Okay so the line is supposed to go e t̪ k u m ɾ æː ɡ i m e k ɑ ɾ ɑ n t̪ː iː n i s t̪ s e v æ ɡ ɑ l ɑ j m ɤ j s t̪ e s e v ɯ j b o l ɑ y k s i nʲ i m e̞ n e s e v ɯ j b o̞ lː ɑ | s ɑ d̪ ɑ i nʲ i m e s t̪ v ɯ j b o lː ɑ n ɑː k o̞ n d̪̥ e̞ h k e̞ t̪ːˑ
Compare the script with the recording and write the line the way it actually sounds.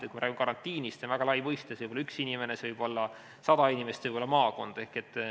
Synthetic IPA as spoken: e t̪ k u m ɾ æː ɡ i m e k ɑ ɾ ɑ n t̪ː iː n i s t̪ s e v æ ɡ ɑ l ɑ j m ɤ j s t̪ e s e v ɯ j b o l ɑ y k s i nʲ i m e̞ n e s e v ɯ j b o̞ lː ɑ | s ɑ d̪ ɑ i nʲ i m e s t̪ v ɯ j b o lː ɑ m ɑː k o̞ n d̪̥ e̞ h k e̞ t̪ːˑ